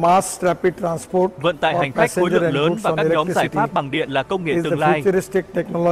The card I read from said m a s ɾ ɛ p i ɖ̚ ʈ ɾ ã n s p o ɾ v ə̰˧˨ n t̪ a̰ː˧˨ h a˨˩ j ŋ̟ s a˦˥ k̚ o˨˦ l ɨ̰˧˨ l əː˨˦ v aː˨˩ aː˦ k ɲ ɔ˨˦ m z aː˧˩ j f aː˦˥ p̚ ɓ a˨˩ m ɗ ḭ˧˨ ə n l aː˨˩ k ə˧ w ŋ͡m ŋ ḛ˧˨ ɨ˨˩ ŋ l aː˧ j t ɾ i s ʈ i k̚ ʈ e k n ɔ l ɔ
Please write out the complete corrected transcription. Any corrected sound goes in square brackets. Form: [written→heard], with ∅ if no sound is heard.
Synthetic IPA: m a s ɾ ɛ p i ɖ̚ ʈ ɾ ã n s p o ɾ v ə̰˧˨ n t̪ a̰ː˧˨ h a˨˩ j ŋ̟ [s→x] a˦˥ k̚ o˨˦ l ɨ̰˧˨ l əː˨˦ v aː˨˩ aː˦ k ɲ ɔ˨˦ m z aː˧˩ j f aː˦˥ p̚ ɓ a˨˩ [m→ŋ] ɗ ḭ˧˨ ə n l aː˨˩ k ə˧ w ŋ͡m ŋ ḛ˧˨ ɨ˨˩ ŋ l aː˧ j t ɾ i s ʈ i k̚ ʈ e k n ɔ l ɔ